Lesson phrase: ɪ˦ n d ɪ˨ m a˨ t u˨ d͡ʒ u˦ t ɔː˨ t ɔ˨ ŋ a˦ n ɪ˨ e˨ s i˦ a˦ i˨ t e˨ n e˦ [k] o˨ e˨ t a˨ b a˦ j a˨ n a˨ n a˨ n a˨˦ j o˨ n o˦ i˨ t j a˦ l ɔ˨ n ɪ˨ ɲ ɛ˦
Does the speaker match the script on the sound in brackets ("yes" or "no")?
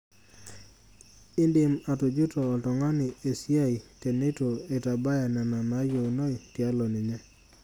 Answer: no